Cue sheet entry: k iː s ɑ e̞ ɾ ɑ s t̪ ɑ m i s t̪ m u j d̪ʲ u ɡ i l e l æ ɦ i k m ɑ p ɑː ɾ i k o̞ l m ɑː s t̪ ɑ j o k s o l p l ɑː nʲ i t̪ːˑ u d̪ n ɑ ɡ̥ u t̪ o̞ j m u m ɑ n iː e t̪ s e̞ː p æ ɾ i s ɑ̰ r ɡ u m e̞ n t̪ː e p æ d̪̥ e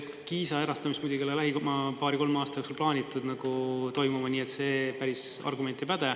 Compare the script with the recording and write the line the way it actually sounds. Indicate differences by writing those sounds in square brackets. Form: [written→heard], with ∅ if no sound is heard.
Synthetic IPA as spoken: k iː s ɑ e̞ ɾ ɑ s t̪ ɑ m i s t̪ m u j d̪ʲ u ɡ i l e l æ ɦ i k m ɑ p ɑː ɾ i k o̞ l m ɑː s t̪ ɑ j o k s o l p l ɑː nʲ i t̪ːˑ u d̪ n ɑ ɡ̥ u t̪ o̞ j m u m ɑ n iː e t̪ s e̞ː p æ ɾ i s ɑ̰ r ɡ u m e̞ n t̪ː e p æ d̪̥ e